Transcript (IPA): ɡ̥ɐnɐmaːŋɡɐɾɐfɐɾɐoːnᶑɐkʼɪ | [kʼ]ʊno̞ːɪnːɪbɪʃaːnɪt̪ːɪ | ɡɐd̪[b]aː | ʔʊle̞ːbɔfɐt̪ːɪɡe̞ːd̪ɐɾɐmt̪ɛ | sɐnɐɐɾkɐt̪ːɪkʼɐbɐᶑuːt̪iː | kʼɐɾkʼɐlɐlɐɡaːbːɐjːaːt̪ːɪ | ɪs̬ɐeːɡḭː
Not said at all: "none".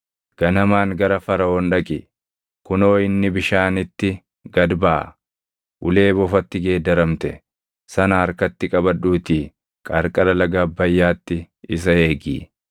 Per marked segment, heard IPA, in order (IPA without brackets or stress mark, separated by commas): k, b